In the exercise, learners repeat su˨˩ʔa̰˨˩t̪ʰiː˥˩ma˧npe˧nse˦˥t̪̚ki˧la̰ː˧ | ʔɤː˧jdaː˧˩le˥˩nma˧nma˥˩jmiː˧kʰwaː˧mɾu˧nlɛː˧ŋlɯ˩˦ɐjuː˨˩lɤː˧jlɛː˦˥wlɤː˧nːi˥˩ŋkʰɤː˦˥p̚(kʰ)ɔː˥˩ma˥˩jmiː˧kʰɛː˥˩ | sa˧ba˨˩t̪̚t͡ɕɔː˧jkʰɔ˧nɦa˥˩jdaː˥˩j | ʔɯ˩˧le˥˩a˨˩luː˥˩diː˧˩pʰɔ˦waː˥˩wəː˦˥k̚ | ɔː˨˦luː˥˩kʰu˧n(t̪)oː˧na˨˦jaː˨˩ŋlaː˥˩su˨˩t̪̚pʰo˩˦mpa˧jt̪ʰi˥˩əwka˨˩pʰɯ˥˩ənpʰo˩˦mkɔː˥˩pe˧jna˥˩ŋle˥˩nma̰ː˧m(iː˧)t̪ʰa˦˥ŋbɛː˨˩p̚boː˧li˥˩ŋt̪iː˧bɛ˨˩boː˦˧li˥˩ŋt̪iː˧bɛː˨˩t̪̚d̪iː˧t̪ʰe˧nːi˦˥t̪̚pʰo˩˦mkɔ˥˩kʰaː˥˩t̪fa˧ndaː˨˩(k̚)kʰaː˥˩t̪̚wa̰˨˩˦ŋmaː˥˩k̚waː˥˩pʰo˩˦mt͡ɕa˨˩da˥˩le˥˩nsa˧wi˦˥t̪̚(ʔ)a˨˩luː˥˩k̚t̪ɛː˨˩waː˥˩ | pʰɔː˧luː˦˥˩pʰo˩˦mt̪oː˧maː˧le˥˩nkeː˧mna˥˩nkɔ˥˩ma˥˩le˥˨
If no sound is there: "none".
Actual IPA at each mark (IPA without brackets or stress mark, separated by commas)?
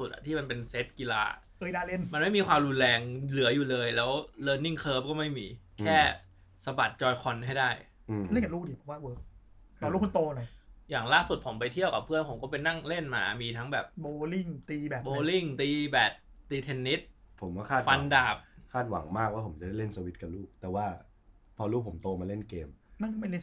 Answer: k, t̪, iː˧, p̚, k